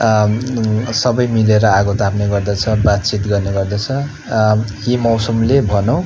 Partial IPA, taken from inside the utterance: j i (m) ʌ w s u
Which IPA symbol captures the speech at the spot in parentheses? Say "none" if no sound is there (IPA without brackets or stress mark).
m